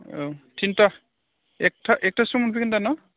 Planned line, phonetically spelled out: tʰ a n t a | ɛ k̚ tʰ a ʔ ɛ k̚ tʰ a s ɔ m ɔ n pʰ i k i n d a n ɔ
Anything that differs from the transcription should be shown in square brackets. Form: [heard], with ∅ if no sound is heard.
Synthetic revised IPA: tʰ [i] n t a | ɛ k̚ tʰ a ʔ ɛ k̚ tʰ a s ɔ m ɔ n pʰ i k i n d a n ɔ